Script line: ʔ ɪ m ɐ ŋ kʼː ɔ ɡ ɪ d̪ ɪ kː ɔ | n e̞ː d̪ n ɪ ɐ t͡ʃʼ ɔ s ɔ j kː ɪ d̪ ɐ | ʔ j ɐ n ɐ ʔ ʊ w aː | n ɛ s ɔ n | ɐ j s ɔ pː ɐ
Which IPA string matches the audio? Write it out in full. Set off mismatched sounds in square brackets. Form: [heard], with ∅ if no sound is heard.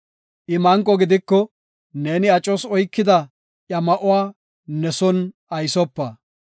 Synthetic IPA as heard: ʔ ɪ m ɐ ŋ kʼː ɔ ɡ ɪ d̪ ɪ kː ɔ | n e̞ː [∅] n ɪ ɐ t͡ʃʼ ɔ s ɔ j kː ɪ d̪ ɐ | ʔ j ɐ [m] ɐ ʔ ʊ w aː | n ɛ s ɔ n | ɐ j s ɔ pː ɐ